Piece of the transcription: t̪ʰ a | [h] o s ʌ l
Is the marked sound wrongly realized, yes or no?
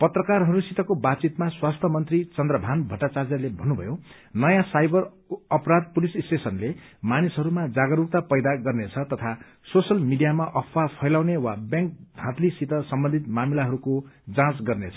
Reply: yes